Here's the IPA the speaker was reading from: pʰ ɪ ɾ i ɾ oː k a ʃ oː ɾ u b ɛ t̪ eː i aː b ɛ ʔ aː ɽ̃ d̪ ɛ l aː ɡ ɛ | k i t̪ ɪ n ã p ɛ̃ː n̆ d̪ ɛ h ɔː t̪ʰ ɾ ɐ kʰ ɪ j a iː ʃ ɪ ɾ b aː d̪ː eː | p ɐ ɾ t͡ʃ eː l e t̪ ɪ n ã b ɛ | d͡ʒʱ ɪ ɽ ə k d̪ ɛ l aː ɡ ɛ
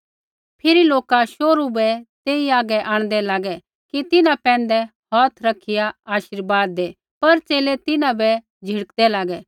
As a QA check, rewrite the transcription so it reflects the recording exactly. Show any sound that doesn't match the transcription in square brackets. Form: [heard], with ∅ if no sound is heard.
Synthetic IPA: pʰ ɪ ɾ i [l] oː k a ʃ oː ɾ u b ɛ t̪ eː i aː [ɡ] ɛ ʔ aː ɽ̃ d̪ ɛ l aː ɡ ɛ | k i t̪ ɪ n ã p ɛ̃ː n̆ d̪ ɛ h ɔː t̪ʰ ɾ ɐ kʰ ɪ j a [aː] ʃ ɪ ɾ b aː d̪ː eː | p ɐ ɾ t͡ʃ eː l e t̪ ɪ n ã b ɛ | d͡ʒʱ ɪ ɽ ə k d̪ ɛ l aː ɡ ɛ